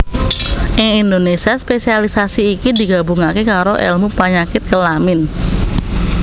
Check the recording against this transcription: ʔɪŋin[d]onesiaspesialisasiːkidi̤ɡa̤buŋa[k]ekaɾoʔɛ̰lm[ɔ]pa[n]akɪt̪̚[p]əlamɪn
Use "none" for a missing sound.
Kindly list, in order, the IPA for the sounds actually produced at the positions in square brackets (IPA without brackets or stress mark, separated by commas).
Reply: d, k, u, ɲ, k